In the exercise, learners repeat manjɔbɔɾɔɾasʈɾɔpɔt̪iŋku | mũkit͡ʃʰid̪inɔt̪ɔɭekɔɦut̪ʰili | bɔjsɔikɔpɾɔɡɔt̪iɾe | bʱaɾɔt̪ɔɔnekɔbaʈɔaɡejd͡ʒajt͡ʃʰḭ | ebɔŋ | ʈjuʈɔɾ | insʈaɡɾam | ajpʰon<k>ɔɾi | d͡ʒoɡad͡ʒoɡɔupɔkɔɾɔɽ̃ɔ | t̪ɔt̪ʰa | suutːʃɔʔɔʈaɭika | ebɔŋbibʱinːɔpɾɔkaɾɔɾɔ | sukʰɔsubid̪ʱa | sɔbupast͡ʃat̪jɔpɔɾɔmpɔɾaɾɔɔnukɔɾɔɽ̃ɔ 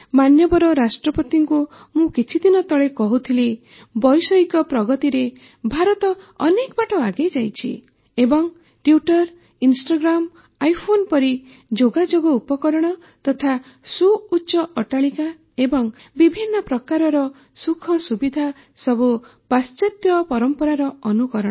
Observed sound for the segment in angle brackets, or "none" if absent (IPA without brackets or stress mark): p